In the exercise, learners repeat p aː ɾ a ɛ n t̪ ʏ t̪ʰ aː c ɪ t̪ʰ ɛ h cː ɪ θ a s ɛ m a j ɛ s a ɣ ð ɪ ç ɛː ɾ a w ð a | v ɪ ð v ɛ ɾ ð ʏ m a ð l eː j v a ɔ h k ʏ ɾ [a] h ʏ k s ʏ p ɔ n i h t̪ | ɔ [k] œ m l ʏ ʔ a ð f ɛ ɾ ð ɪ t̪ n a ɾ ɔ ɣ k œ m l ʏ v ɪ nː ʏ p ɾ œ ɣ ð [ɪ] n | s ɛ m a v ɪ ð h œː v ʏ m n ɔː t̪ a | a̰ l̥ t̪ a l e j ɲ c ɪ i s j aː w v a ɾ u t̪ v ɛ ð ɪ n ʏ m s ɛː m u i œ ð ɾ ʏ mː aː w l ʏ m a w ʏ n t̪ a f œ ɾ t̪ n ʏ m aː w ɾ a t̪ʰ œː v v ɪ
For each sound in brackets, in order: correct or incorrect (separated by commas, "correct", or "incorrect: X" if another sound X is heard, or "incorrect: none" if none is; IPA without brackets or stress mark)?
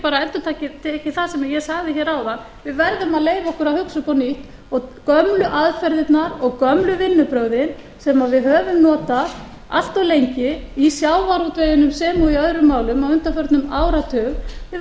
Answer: correct, correct, correct